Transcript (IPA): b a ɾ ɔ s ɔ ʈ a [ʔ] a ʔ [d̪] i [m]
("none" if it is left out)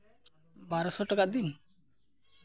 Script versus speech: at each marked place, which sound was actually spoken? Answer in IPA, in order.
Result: k, d̪, n

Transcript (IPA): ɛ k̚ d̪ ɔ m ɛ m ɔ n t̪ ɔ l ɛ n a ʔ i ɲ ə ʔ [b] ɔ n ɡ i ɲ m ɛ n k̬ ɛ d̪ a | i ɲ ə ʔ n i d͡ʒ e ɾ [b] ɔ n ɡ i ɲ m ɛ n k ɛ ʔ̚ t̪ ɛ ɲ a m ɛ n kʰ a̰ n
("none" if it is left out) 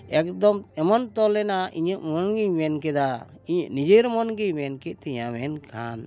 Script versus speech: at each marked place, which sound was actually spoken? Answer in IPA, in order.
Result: m, m

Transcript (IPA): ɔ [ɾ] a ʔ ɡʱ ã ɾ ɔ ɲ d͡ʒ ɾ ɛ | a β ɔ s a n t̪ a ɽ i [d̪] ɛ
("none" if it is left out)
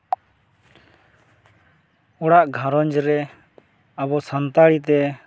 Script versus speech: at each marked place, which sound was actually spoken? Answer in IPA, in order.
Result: ɽ, t̪

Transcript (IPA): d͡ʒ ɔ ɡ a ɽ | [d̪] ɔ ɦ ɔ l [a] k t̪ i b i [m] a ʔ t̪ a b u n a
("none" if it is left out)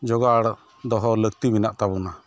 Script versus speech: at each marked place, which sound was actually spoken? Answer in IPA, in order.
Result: d̪, ə, n

